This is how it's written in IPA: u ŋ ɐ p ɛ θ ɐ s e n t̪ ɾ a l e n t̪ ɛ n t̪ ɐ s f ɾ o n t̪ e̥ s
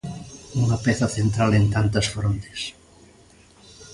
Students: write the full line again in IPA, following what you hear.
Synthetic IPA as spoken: u ŋ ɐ p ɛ θ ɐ θ e n t̪ ɾ a l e n t̪ a n t̪ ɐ s f ɾ o n t̪ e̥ s